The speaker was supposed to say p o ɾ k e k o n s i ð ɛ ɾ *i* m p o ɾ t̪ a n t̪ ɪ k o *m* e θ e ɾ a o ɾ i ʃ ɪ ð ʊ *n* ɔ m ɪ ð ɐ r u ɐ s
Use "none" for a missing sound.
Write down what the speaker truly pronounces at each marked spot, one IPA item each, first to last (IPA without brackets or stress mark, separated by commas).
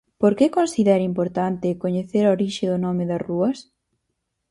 i, ɲ, n